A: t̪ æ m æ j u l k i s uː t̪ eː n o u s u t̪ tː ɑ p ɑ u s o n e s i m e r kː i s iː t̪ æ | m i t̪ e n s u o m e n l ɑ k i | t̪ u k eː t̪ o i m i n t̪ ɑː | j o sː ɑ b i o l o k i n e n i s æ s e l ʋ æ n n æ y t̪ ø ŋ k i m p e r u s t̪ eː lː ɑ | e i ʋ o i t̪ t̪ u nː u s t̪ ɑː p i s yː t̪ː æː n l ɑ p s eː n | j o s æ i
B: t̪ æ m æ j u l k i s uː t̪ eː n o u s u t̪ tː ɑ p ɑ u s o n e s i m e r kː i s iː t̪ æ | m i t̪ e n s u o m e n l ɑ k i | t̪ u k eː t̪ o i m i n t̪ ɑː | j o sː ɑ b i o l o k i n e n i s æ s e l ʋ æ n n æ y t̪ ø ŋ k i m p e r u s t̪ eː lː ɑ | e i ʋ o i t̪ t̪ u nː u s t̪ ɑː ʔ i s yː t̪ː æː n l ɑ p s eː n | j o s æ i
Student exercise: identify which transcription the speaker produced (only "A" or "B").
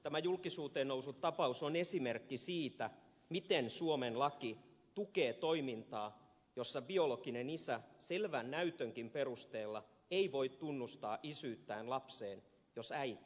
B